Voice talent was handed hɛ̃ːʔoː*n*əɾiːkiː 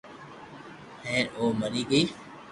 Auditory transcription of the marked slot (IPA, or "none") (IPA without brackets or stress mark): m